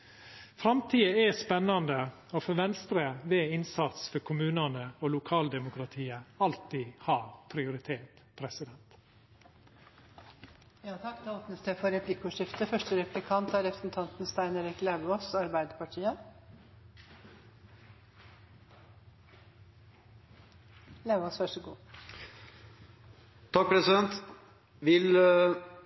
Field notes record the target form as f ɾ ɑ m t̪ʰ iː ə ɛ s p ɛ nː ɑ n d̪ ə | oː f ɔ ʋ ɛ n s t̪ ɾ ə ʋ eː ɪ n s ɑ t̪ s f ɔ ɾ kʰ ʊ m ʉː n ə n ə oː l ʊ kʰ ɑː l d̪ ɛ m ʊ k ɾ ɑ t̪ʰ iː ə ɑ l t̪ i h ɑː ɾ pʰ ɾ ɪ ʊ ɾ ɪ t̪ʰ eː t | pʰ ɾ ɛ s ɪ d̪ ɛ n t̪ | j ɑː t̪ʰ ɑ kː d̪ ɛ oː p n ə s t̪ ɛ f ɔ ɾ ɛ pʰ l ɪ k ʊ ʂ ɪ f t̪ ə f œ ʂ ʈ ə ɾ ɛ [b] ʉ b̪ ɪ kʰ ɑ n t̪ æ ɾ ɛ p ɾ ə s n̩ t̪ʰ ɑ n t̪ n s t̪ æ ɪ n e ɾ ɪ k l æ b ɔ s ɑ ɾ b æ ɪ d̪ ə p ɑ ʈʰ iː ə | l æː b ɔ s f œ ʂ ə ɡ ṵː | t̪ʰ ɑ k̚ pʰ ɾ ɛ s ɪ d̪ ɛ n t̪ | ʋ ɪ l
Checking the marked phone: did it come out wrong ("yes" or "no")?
yes